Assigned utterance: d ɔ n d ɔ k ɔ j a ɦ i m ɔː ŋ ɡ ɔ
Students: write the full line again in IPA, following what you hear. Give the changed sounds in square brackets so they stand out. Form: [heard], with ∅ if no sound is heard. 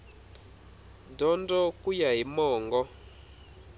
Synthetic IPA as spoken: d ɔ n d ɔ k [u] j a ɦ i m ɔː ŋ ɡ ɔ

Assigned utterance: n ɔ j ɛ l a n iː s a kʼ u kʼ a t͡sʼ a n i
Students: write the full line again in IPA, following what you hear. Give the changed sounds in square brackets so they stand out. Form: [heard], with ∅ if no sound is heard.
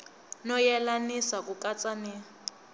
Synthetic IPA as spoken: n ɔ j ɛ l a n [i] s a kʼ u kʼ a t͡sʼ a n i

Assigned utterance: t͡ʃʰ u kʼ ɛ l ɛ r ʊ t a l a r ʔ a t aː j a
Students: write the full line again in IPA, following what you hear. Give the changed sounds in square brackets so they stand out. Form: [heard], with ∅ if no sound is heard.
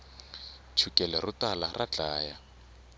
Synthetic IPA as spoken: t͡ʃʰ u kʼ ɛ l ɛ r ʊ t a l a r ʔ a [t͡ɬ] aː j a

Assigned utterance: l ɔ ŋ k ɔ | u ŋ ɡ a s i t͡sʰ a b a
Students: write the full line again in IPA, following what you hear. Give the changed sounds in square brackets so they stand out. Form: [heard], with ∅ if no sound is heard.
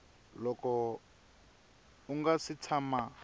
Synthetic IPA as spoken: l ɔ [∅] k ɔ | u ŋ ɡ a s i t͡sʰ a [m] a

